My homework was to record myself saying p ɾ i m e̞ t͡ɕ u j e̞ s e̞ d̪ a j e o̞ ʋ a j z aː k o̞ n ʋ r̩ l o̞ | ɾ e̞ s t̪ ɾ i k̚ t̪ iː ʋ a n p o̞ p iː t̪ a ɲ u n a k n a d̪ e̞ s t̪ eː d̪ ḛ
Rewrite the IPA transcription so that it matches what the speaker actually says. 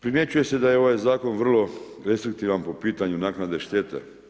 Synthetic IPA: p ɾ i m e̞ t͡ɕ u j e̞ s e̞ d̪ a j e o̞ ʋ a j z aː k o̞ n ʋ r̩ l o̞ | ɾ e̞ s t̪ ɾ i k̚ t̪ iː ʋ a n p o̞ p iː t̪ a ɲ u n a k n a d̪ e̞ ʃ t̪ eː t̪ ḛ